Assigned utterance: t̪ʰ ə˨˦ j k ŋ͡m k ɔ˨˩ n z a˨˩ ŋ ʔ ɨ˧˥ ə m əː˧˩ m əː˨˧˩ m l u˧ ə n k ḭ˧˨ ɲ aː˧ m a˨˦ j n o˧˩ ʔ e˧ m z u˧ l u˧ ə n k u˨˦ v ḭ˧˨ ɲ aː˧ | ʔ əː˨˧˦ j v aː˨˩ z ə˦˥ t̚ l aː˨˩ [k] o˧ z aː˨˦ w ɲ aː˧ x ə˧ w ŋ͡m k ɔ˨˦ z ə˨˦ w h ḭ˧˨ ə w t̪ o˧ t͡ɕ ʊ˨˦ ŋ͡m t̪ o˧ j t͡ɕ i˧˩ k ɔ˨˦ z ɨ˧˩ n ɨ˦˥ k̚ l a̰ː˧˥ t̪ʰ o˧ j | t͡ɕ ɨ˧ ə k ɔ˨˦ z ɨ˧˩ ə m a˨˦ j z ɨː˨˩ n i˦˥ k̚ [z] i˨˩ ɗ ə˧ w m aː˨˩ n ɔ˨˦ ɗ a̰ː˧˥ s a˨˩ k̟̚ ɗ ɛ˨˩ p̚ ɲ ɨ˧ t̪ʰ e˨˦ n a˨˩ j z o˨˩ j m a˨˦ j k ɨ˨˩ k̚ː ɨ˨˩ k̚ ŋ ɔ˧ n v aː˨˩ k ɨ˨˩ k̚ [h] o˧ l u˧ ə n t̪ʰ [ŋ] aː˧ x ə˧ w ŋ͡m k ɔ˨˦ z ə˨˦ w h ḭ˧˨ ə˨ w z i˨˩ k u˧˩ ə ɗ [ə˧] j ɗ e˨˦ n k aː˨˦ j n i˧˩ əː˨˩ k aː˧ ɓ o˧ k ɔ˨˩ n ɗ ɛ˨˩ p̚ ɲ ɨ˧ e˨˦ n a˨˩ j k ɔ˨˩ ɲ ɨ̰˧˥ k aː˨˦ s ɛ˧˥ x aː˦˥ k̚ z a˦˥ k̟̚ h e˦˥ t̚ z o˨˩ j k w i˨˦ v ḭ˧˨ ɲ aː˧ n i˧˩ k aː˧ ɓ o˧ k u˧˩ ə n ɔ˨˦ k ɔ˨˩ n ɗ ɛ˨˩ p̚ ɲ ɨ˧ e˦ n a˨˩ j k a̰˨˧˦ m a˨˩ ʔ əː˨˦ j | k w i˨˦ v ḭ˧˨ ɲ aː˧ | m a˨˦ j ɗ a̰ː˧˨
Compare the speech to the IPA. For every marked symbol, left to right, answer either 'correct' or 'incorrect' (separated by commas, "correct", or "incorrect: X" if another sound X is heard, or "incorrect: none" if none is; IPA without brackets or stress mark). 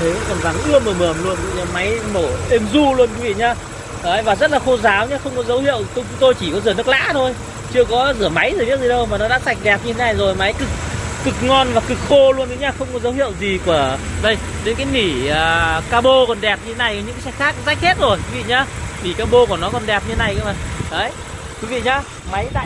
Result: incorrect: x, correct, incorrect: x, incorrect: ɲ, correct